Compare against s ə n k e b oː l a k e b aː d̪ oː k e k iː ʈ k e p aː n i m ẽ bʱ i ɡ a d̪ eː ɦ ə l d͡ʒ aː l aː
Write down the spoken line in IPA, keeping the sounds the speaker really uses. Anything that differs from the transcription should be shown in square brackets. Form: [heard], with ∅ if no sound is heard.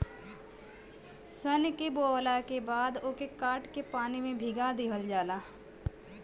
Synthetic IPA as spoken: s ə n k e b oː l a k e b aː d̪ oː k e k [aː] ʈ k e p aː n i m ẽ bʱ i ɡ a d̪ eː ɦ ə l d͡ʒ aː l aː